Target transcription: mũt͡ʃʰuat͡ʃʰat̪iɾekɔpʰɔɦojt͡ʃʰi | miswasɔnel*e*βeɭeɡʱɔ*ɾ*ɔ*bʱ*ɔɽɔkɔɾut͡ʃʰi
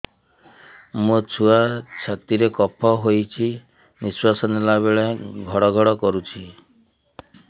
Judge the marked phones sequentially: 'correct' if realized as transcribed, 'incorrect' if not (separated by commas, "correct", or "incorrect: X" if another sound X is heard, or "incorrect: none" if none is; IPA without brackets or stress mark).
incorrect: a, incorrect: ɽ, incorrect: ɡʱ